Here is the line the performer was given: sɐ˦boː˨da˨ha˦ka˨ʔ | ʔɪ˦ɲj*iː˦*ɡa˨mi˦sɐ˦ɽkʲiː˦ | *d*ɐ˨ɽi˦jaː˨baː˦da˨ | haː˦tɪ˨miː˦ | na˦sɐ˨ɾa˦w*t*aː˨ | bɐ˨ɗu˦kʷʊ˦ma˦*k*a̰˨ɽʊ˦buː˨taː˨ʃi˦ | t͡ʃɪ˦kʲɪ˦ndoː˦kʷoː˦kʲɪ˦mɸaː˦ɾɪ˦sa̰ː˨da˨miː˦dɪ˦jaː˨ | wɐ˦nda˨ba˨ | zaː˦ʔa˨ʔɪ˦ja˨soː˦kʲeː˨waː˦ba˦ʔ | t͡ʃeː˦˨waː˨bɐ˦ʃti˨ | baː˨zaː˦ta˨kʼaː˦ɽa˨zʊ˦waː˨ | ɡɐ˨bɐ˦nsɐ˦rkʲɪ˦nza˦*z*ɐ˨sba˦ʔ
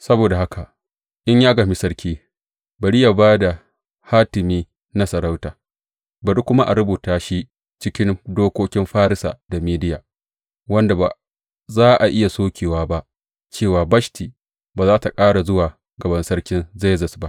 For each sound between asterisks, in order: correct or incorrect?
incorrect: aː˦, incorrect: b, correct, incorrect: ʔ, correct

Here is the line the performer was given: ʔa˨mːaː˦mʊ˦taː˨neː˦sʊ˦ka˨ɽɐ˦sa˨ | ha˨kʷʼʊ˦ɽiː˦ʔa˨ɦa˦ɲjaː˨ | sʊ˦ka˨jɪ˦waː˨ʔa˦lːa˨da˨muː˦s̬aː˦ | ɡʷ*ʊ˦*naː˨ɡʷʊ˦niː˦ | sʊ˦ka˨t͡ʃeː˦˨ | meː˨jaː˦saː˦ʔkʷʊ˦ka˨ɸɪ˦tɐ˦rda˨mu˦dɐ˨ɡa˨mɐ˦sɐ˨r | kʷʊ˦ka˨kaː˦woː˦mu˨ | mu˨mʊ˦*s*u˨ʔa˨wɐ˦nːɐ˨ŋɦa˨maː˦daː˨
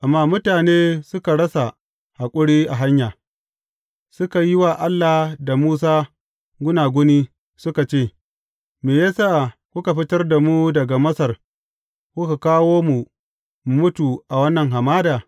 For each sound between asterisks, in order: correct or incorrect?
correct, incorrect: t

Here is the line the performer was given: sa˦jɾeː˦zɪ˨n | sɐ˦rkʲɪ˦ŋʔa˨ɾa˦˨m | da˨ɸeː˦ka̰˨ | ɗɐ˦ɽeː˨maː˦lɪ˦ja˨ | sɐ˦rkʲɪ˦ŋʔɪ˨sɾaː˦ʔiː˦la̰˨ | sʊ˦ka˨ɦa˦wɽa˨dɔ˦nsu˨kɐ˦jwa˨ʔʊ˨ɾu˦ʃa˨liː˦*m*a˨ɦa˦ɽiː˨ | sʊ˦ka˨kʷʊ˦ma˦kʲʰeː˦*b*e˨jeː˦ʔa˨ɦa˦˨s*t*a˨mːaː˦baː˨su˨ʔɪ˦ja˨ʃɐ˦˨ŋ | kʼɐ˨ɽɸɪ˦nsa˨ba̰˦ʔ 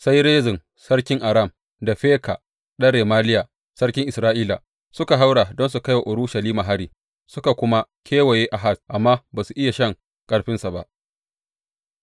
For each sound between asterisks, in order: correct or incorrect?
correct, incorrect: w, incorrect: ʔ

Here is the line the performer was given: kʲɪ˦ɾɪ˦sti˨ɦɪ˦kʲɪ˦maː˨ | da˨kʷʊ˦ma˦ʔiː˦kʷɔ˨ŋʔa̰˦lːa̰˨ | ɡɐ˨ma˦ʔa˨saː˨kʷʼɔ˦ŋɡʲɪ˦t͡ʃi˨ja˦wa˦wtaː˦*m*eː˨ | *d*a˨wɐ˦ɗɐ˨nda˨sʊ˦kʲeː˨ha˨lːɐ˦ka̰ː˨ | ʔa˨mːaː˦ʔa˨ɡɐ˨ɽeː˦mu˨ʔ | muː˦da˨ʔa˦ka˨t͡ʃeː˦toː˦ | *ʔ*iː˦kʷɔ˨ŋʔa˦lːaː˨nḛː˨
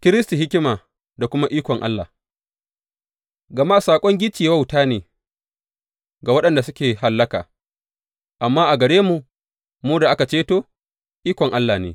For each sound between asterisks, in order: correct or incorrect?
incorrect: n, incorrect: ɡ, correct

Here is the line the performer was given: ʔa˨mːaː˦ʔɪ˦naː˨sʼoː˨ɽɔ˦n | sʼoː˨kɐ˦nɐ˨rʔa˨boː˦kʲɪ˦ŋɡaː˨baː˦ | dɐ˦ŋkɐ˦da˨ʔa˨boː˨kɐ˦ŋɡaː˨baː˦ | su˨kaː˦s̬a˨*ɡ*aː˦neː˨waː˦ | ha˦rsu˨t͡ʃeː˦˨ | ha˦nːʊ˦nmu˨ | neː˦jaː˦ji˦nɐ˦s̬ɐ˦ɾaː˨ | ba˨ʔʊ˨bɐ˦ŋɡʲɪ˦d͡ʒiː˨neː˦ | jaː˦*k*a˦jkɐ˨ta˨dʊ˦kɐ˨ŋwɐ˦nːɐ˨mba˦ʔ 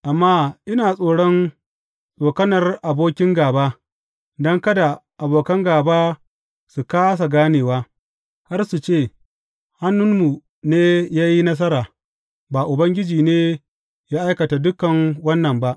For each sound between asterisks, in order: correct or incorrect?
correct, incorrect: ʔ

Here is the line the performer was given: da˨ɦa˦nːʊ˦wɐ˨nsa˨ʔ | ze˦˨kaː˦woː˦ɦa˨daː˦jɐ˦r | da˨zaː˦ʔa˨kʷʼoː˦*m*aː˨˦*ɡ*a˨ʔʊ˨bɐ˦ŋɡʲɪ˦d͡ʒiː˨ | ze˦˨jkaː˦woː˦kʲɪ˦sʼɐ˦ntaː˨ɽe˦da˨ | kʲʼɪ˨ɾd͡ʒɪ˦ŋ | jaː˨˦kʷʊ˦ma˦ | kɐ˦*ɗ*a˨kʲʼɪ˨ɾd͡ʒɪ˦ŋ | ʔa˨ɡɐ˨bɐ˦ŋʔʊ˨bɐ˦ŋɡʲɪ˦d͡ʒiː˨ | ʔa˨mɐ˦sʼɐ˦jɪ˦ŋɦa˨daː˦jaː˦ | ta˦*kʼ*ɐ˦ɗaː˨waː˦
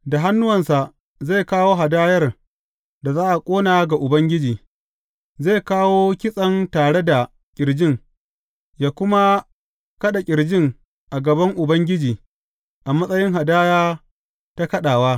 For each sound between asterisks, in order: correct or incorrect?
incorrect: n, correct, correct, incorrect: k

